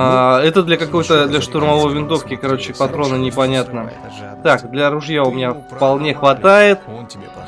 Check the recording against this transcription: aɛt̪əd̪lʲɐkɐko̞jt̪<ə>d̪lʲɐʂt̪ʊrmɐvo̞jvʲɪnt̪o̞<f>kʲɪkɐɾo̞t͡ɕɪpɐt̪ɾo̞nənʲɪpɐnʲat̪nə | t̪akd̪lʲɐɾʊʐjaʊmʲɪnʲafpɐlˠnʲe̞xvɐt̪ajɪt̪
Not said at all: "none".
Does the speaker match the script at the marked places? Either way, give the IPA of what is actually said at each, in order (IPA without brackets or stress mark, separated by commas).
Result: ə, f